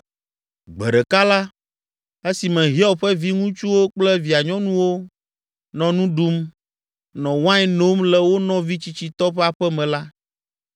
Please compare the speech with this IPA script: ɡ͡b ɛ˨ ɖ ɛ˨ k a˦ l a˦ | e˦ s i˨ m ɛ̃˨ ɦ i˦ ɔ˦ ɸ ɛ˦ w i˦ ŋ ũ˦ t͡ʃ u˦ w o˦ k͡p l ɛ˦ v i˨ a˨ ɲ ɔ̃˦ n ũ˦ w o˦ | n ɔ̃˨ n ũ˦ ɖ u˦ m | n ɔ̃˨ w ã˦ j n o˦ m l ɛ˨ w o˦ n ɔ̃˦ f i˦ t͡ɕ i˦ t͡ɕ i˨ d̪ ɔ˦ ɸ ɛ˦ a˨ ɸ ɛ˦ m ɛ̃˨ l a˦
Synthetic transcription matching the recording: ɡ͡b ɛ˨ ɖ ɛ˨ k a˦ l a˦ | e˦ s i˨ m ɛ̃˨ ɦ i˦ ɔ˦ ɸ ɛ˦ v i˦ ŋ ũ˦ t͡ʃ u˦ w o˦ k͡p l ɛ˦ v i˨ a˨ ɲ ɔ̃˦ n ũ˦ w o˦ | n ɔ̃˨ n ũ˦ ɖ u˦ m | n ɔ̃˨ w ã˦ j n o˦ m l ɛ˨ w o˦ n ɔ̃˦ v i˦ t͡ɕ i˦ t͡ɕ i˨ t̪ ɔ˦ ɸ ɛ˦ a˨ ɸ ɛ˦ m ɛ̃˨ l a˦